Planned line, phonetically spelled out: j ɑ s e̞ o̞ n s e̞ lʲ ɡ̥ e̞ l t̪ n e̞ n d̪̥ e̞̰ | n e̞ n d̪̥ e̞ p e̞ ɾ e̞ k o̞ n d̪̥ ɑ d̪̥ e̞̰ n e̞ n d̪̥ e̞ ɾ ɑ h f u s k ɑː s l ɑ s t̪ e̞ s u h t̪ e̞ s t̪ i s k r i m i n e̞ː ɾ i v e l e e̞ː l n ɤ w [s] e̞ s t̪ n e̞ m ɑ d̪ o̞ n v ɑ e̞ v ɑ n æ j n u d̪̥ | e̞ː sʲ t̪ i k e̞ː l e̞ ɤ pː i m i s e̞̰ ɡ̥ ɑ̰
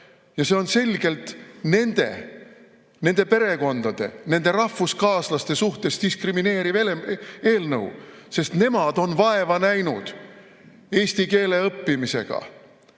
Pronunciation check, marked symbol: correct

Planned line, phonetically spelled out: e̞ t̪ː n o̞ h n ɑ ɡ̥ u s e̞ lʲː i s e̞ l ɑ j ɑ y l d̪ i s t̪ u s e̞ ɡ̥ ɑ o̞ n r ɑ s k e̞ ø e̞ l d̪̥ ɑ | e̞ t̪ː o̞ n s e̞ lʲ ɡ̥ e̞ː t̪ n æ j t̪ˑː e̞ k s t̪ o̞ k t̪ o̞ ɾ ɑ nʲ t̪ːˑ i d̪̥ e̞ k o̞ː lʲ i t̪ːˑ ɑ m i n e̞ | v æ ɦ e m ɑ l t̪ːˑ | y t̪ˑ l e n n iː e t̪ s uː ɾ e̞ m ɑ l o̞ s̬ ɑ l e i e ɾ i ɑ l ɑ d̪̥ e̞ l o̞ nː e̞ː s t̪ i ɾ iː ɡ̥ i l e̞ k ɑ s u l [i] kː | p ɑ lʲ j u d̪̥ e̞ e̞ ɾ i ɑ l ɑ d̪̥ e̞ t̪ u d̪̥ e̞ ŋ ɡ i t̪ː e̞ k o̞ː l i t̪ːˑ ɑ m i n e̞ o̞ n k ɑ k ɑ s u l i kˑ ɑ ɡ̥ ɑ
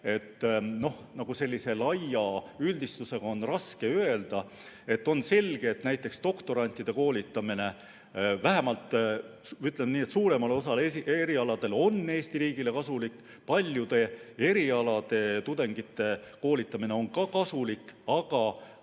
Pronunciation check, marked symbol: correct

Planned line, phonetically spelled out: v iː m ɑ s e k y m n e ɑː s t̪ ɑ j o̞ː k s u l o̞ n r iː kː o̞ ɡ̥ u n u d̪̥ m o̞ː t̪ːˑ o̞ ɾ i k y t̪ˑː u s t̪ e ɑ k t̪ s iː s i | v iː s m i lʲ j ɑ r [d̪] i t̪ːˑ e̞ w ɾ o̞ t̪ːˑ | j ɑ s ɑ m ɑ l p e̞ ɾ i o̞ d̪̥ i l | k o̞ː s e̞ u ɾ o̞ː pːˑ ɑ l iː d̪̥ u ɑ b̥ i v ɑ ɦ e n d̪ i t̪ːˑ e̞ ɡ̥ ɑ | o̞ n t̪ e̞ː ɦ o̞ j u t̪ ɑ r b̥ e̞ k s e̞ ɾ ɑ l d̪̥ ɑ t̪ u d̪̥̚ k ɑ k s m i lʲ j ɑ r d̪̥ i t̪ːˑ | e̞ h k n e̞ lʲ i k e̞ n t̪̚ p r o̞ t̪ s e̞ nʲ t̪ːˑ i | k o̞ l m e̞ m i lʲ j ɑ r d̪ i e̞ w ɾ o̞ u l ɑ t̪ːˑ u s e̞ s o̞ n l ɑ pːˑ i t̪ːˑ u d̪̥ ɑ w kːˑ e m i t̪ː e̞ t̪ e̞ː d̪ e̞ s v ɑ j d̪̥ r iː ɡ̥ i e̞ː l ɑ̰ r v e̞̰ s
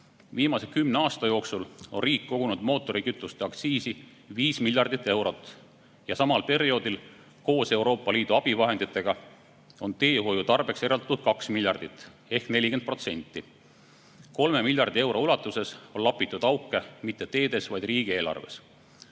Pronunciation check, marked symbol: correct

